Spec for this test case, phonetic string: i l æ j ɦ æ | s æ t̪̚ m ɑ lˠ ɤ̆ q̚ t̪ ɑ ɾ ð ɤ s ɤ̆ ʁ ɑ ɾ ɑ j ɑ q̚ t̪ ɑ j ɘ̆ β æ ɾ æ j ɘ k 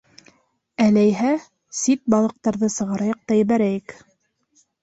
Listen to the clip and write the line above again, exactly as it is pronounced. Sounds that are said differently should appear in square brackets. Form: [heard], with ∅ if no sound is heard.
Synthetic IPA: [æ] l æ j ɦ æ | s [i] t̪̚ [b] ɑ lˠ ɤ̆ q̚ t̪ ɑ ɾ ð ɤ s ɤ̆ ʁ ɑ ɾ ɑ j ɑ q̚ t̪ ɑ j ɘ̆ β æ ɾ æ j ɘ k